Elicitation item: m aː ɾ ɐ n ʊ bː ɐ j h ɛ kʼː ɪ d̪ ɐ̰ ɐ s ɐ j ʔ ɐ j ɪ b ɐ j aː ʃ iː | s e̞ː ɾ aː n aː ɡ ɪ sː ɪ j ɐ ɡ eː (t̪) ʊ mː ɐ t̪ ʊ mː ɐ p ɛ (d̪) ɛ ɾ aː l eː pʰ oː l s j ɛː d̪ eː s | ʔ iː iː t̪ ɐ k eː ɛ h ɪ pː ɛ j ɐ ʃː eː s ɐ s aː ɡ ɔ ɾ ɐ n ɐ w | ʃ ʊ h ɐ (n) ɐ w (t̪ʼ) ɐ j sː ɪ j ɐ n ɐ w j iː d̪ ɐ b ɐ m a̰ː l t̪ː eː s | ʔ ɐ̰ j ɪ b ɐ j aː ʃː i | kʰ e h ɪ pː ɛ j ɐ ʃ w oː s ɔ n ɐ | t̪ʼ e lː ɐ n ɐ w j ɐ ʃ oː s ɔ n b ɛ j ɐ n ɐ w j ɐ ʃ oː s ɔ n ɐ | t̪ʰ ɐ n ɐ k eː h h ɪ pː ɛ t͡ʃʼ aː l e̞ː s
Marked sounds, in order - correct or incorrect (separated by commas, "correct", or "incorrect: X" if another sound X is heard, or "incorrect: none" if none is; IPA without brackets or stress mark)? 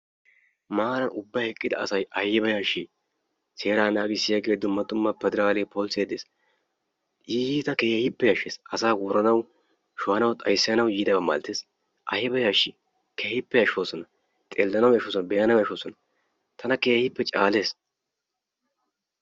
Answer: incorrect: d̪, correct, correct, correct